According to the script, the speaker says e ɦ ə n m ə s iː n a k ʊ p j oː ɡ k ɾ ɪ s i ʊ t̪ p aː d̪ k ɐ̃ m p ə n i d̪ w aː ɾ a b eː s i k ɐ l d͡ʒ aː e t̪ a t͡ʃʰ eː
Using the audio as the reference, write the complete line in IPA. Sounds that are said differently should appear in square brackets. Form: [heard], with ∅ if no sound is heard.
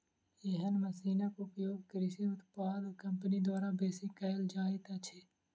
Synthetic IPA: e ɦ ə n m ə s iː n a k ʊ p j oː ɡ k ɾ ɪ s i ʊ t̪ p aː d̪ k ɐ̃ m p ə n i d̪ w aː ɾ a b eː s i k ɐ l d͡ʒ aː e t̪ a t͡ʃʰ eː